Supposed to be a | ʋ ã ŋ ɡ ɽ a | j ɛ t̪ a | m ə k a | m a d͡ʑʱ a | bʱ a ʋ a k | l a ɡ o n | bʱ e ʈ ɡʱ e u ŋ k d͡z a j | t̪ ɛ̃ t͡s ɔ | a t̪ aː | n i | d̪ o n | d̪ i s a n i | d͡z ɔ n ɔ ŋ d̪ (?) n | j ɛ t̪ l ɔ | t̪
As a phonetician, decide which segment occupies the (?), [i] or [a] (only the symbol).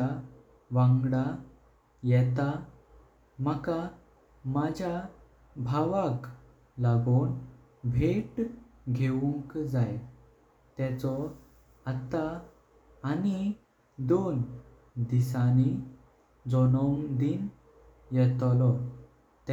i